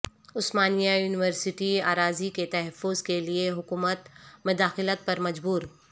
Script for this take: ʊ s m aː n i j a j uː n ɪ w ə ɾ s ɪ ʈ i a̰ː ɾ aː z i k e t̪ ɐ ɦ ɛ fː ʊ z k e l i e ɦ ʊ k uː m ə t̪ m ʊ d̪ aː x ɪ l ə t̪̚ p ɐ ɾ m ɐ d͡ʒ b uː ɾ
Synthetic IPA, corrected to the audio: ʊ s m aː n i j a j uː n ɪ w ə ɾ s ɪ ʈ i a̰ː ɾ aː z i k e t̪ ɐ ɦ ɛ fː ʊ z k e l i e ɦ ʊ k uː m ə t̪ m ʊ d̪ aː x ɪ l ə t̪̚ p ɐ ɾ m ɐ d͡ʒ b uː ɾ